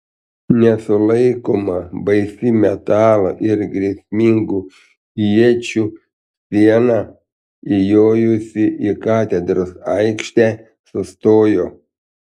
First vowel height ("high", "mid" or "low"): mid